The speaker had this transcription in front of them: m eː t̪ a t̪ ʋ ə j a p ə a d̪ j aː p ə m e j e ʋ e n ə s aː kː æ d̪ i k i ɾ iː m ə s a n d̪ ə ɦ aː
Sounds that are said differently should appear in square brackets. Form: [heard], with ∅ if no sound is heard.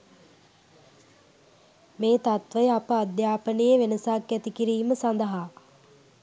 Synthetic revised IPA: m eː t̪ a t̪ ʋ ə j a p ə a d̪ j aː p ə [n] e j e ʋ e n ə s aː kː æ [t̪] i k i ɾ iː m ə s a n d̪ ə ɦ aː